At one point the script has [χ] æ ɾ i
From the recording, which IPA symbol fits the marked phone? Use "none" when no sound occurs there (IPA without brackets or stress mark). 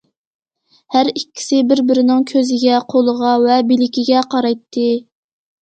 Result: h